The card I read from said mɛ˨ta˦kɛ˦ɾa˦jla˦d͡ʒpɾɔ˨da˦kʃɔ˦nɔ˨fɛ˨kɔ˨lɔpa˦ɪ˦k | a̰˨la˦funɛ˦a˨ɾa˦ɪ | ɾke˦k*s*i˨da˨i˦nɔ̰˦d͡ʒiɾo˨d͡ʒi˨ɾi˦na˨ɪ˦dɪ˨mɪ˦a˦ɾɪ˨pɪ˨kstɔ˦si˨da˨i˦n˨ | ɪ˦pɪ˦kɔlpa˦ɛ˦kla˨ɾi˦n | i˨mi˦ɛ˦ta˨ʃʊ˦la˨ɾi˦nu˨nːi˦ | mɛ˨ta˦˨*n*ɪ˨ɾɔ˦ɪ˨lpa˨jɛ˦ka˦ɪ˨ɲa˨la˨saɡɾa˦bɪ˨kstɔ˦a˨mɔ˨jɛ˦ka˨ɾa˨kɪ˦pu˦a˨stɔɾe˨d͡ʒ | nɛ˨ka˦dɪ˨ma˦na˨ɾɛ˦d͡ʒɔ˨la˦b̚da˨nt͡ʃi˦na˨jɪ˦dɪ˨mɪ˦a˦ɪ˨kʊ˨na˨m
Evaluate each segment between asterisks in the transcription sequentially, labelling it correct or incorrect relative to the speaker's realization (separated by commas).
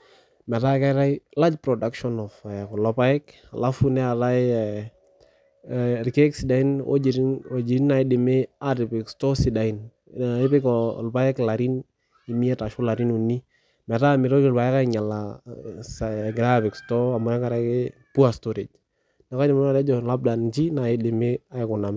correct, incorrect